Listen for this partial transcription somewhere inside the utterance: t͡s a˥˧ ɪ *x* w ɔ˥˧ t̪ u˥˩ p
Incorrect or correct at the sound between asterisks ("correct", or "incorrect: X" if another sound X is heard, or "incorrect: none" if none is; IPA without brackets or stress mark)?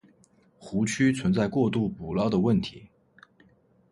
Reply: incorrect: k